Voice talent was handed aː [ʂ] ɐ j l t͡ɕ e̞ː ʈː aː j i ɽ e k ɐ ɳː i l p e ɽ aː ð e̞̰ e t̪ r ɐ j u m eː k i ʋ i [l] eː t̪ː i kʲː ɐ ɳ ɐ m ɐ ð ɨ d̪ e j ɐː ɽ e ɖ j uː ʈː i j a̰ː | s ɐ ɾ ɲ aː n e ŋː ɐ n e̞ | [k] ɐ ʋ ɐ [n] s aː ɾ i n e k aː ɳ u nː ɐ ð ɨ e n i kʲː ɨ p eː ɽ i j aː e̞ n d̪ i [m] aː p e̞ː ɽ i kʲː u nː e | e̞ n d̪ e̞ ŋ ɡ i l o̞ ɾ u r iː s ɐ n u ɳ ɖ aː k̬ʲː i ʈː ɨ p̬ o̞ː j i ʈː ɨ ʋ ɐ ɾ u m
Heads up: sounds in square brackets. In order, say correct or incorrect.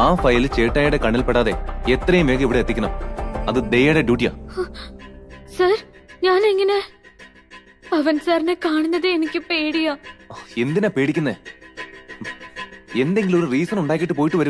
incorrect: f, incorrect: ɽ, incorrect: p, correct, incorrect: n

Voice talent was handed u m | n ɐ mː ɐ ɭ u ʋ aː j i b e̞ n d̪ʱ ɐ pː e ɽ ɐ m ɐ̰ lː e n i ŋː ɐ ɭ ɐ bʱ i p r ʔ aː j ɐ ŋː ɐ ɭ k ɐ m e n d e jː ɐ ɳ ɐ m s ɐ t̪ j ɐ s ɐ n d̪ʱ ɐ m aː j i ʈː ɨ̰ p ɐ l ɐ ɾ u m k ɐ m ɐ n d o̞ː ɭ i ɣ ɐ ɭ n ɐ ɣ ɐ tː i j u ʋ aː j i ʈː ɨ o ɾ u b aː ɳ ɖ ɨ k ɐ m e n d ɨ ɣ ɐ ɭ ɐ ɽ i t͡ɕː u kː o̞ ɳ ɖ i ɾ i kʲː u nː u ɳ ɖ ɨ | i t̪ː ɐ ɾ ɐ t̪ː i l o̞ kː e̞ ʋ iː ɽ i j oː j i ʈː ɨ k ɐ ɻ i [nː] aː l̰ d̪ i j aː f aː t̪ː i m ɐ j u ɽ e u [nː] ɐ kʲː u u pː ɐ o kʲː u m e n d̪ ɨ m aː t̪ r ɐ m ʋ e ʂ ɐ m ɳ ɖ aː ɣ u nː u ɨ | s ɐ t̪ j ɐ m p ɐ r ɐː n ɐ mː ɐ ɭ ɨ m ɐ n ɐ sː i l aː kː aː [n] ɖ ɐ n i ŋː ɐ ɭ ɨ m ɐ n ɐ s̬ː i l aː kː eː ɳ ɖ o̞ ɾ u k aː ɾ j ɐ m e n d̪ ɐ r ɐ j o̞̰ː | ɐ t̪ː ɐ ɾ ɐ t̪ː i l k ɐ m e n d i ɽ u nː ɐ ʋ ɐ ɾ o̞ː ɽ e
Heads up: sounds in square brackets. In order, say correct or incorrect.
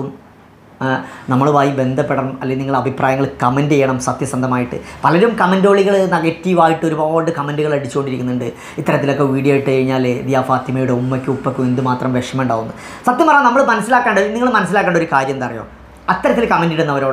incorrect: ɲː, incorrect: mː, incorrect: ɳ

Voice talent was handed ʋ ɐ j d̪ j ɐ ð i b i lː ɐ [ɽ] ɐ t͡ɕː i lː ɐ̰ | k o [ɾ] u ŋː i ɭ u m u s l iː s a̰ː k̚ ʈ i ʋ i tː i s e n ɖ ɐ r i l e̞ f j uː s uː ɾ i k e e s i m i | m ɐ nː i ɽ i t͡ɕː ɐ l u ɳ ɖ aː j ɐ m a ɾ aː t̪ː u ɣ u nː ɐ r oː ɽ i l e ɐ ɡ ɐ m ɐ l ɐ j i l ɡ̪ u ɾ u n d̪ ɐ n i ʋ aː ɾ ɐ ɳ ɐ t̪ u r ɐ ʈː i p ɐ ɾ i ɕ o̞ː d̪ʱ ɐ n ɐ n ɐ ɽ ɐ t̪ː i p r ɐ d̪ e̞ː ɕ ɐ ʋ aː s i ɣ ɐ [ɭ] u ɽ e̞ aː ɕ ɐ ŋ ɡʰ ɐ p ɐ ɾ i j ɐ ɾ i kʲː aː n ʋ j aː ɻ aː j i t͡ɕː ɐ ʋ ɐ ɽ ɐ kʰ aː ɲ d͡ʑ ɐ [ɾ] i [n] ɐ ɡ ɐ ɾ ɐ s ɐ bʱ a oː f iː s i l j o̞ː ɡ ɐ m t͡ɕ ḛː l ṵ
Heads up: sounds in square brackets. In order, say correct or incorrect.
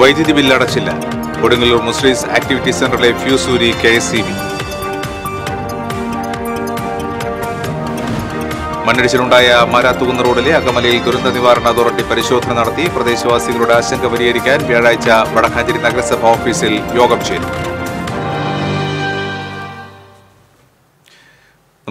correct, incorrect: ɽ, correct, correct, correct

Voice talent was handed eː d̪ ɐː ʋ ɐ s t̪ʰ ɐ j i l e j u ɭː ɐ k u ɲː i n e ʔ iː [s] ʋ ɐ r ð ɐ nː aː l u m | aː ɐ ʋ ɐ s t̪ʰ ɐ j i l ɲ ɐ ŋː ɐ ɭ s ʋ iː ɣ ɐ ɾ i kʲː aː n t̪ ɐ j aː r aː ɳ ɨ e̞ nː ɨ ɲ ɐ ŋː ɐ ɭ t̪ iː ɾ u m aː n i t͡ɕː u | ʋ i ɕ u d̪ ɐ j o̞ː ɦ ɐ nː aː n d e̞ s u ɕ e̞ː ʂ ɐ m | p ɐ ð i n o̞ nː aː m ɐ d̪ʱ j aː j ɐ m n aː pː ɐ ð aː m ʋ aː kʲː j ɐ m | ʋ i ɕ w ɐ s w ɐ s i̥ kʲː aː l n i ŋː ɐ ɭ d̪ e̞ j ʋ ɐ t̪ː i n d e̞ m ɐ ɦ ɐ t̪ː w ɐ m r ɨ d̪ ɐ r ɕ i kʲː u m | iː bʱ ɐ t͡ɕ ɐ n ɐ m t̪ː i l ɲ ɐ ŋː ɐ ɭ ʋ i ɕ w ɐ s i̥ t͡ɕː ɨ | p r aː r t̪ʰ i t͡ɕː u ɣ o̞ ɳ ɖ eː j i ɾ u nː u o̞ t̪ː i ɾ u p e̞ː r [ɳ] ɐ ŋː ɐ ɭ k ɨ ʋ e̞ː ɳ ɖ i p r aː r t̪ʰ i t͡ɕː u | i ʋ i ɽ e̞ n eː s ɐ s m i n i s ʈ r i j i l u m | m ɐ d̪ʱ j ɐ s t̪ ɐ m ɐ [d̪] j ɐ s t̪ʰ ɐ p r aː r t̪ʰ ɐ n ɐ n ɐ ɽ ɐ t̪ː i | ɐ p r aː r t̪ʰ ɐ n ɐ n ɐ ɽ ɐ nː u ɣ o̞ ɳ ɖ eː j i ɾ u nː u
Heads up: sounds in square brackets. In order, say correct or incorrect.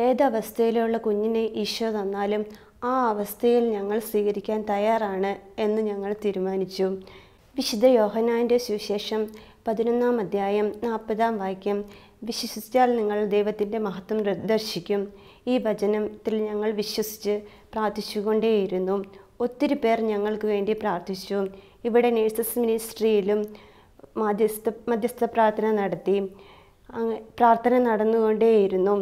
incorrect: ʂ, incorrect: ɲ, correct

